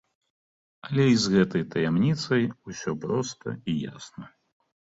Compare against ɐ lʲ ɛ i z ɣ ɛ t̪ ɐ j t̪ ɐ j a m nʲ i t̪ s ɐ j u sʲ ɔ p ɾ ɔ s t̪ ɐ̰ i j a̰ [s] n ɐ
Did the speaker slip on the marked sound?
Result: no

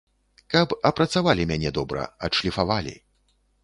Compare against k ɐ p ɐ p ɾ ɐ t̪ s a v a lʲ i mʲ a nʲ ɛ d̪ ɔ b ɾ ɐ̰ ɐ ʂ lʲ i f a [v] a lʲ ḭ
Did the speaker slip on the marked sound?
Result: no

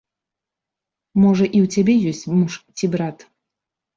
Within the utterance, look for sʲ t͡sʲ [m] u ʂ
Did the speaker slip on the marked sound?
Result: no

